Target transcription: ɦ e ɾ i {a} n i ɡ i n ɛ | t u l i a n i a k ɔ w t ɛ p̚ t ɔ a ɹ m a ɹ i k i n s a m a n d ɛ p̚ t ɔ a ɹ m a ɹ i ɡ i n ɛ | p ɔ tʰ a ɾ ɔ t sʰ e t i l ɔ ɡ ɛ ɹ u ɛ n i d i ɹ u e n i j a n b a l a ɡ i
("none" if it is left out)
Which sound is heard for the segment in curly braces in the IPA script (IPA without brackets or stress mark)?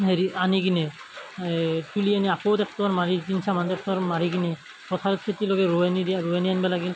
a